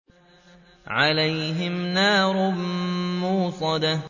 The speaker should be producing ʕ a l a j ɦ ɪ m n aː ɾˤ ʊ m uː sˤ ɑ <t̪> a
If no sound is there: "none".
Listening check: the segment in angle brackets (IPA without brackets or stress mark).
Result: d̪